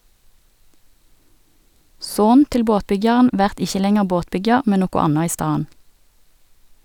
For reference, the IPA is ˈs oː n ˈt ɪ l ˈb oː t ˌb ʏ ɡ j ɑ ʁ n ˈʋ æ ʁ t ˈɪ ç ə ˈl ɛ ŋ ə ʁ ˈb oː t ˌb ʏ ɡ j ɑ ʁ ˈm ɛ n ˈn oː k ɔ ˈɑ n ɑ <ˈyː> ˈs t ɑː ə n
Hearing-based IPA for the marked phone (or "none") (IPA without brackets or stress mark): iː